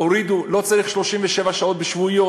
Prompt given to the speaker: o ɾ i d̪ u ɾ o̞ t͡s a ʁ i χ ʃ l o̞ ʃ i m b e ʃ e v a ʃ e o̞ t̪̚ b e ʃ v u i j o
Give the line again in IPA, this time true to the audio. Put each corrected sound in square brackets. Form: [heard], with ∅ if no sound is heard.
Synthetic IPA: o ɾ i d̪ u [l] o̞ t͡s a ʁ i χ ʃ l o̞ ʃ i m [v] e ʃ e v a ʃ [a] o̞ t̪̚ b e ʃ v u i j o